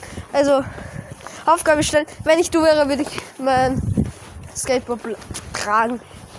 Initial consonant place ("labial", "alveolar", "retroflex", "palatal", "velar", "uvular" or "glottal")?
glottal